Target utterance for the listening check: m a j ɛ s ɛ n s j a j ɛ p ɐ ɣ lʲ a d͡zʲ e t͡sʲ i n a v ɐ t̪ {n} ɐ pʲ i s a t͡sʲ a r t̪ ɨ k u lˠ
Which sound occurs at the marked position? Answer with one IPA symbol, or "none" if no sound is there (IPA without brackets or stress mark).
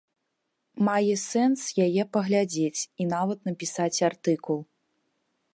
n